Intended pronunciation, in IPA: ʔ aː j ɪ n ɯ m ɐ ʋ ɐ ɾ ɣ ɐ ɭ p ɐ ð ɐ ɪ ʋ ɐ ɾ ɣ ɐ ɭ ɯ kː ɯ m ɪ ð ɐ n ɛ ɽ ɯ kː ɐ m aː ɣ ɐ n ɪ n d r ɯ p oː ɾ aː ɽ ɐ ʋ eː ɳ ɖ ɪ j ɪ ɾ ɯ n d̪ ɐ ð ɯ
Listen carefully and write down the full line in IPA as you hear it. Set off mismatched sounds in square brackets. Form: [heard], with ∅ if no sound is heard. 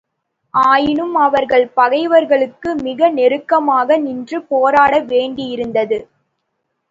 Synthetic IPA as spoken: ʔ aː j ɪ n ɯ m ɐ ʋ ɐ ɾ ɣ ɐ ɭ p ɐ [ɣ] ɐ ɪ ʋ ɐ ɾ ɣ ɐ ɭ ɯ kː ɯ m ɪ [ɣ] ɐ n ɛ [ɾ] ɯ kː ɐ m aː ɣ ɐ n ɪ n d r ɯ p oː ɾ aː ɽ ɐ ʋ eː ɳ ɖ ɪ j ɪ ɾ ɯ n d̪ ɐ ð ɯ